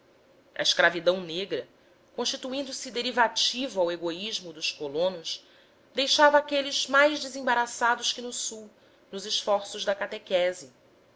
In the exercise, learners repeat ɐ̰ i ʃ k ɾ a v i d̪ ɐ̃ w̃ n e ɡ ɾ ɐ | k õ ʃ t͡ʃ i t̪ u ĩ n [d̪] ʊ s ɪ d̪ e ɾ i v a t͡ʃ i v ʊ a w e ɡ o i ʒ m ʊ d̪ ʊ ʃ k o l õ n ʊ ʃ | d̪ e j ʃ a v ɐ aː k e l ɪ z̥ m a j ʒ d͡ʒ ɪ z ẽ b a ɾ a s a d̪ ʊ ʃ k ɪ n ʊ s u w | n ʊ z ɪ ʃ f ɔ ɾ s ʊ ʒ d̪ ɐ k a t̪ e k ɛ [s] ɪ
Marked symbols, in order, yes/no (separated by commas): yes, no